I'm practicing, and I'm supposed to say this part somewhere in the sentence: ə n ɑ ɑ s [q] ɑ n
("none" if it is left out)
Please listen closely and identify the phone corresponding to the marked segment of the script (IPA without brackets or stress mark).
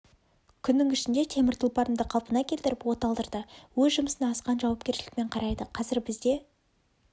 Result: q